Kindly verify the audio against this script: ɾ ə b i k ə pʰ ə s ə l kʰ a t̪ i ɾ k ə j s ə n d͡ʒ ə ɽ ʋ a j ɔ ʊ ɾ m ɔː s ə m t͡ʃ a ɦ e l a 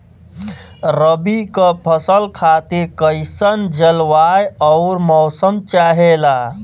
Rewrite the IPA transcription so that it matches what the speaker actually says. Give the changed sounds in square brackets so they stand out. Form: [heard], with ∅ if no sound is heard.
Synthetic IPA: ɾ ə b i k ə pʰ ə s ə l kʰ a t̪ i ɾ k ə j s ə n d͡ʒ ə [l] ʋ a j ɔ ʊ ɾ m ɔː s ə m t͡ʃ a ɦ e l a